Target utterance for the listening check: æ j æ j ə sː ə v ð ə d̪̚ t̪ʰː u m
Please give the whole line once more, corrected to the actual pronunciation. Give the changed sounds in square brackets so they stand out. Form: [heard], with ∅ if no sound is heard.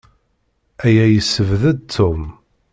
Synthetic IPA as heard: æ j æ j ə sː ə v ð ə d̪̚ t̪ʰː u m